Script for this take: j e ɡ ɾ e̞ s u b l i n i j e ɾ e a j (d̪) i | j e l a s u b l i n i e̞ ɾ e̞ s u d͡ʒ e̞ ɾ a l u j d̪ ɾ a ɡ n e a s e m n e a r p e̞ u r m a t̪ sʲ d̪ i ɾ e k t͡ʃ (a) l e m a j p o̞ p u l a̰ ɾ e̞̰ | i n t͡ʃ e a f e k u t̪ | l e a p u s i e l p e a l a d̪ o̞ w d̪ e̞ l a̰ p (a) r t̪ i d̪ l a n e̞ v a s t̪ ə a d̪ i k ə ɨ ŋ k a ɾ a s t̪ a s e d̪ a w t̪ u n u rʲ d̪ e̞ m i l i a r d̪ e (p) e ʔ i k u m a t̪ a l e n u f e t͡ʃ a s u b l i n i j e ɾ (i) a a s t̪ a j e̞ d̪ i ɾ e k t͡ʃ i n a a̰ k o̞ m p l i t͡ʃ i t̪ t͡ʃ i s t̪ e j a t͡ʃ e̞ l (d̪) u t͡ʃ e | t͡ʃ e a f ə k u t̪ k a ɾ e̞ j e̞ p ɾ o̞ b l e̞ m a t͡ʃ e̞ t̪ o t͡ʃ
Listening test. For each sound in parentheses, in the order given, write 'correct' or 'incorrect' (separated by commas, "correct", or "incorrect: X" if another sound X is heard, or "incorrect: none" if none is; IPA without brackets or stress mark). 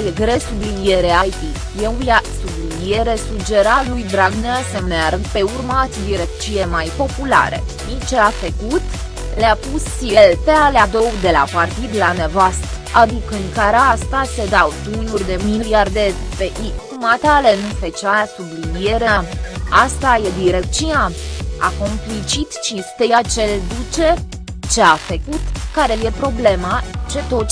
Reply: incorrect: t̪, incorrect: i, correct, correct, incorrect: e, correct